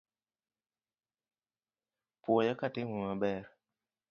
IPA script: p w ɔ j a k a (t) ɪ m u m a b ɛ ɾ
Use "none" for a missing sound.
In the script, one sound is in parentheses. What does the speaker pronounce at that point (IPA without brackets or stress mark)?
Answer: t